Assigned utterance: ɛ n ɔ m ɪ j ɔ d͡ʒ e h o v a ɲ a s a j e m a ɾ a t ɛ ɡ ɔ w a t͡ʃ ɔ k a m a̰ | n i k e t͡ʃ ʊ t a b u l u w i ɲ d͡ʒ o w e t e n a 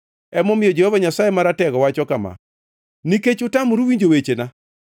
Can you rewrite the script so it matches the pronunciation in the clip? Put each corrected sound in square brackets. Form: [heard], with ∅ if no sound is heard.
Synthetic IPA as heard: ɛ [m] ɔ m ɪ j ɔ d͡ʒ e h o v a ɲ a s a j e m a ɾ a t ɛ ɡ ɔ w a t͡ʃ ɔ k a m a̰ | n i k e t͡ʃ ʊ t a [m] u [ɾ] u w i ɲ d͡ʒ o w e [t͡ʃ] e n a